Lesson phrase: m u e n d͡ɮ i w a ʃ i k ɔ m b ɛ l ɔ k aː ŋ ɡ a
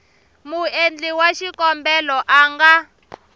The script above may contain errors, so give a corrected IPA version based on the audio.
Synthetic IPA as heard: m u e n d͡ɮ i w a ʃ i k ɔ m b ɛ l ɔ ʔ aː ŋ ɡ a